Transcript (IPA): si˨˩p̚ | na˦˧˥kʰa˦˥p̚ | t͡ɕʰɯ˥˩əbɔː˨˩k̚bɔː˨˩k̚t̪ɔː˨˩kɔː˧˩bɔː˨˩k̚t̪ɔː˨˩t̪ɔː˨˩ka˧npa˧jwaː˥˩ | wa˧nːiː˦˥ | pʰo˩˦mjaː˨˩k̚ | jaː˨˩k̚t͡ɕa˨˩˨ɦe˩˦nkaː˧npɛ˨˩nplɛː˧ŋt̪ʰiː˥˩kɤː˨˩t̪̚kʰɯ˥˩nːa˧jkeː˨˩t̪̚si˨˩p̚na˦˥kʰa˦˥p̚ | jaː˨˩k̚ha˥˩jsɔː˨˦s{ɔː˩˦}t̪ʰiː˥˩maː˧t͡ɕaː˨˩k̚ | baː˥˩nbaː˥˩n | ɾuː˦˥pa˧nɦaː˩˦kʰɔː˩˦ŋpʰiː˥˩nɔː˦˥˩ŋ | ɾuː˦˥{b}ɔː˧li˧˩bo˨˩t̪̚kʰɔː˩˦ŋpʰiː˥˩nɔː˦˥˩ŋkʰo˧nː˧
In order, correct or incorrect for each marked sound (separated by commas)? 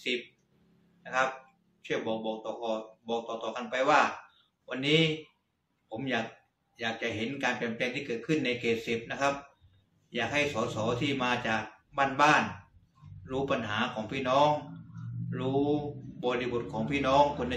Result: correct, correct